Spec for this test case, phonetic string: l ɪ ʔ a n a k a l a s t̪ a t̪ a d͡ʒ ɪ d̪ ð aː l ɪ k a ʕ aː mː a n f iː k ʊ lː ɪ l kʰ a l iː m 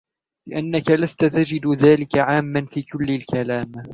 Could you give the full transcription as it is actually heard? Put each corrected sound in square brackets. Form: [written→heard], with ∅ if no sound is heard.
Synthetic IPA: l ɪ ʔ a [n→nː] a k a l a s t̪ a t̪ a d͡ʒ ɪ d̪ ð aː l ɪ k a ʕ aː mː a n f iː k ʊ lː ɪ l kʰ a l [iː→aː] m